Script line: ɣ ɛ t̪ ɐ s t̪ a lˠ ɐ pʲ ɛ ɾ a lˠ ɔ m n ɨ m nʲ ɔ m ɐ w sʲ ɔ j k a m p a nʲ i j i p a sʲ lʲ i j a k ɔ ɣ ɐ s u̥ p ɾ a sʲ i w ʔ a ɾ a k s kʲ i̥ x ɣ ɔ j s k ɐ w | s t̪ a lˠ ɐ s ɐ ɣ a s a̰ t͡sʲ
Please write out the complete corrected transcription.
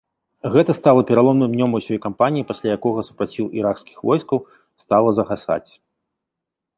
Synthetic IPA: ɣ ɛ t̪ ɐ s t̪ a lˠ ɐ pʲ ɛ ɾ a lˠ ɔ m n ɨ m nʲ ɔ m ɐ w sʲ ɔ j k a m p a nʲ i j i p a sʲ lʲ a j a k ɔ ɣ ɐ s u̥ p ɾ a t͡sʲ i w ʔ i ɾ a k s kʲ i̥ x v ɔ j s k ɐ w | s t̪ a lˠ ɐ z ɐ ɣ a s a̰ t͡sʲ